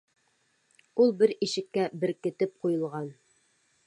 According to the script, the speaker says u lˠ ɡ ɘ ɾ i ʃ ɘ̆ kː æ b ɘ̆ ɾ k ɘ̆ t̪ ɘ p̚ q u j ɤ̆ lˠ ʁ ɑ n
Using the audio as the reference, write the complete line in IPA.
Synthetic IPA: u lˠ b ɘ ɾ i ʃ ɘ̆ kː æ b ɘ̆ ɾ k ɘ̆ t̪ ɘ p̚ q u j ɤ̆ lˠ ʁ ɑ n